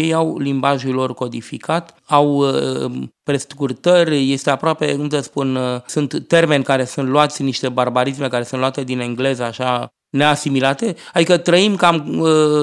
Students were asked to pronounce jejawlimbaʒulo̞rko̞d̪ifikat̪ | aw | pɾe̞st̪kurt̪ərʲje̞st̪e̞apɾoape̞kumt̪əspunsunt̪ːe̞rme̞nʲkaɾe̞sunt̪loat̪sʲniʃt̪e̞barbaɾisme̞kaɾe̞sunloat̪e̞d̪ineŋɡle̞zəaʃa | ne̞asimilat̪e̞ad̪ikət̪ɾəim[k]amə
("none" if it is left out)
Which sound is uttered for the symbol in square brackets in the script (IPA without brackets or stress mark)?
k